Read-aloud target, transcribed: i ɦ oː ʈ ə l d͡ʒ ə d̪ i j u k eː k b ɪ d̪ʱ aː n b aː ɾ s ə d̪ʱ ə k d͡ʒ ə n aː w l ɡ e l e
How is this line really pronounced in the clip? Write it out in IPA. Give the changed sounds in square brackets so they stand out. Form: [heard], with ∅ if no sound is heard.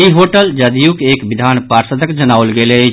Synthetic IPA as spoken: i ɦ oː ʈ ə l d͡ʒ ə d̪ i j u k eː k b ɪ d̪ʱ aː n [p] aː ɾ s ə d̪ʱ ə k d͡ʒ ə n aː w l ɡ e l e